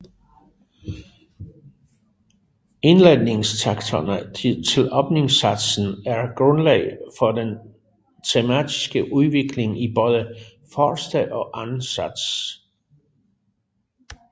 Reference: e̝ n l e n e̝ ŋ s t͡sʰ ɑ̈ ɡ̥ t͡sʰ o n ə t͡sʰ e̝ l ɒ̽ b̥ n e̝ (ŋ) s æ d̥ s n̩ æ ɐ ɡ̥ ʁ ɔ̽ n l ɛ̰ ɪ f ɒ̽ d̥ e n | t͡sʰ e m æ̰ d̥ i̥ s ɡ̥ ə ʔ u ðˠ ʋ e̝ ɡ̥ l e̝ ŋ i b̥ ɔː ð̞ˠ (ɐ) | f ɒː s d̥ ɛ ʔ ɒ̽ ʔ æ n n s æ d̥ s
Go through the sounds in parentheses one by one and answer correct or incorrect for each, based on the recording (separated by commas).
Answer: correct, incorrect